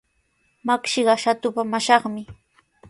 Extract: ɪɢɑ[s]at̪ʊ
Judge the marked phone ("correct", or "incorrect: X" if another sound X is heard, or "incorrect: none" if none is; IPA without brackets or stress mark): incorrect: ʃ